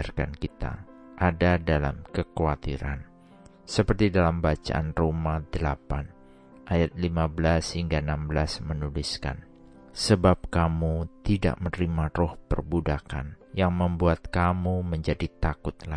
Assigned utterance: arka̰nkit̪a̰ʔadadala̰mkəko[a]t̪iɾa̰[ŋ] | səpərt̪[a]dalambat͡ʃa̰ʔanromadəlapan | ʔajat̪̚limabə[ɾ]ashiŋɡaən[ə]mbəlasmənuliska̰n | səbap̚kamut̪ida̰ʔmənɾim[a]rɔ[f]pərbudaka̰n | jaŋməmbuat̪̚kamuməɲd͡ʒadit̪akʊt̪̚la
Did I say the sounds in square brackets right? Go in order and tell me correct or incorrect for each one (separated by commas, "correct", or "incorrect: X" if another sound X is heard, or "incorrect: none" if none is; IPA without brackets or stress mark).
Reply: correct, incorrect: n, incorrect: i, incorrect: l, incorrect: a, correct, incorrect: h